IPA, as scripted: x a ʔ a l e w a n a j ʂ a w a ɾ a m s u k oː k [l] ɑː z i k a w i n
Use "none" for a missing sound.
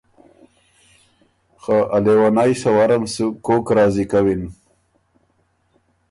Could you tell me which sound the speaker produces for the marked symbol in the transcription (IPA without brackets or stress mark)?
ɾ